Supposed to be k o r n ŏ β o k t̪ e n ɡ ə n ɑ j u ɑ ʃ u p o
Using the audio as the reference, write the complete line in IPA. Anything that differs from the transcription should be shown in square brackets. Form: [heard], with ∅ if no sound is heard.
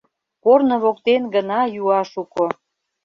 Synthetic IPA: k o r n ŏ β o k t̪ e n ɡ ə n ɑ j u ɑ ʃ u [k] o